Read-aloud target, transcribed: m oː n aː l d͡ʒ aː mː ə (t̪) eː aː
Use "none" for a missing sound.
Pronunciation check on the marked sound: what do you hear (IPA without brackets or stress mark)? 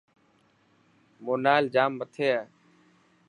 t̪ʰ